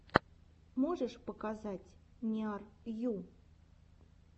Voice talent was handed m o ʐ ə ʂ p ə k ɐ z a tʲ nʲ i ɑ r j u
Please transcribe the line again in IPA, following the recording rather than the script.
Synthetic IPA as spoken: m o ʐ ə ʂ p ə k a z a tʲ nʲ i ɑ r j u